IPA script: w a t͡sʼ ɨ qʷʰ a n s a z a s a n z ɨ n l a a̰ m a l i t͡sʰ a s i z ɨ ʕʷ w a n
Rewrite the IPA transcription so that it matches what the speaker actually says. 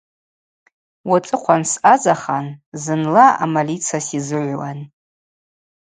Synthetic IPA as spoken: w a t͡sʼ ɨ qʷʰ a n s a z a χ a n z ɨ n l a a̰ m a l i t͡sʰ a s i z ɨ ʕʷ w a n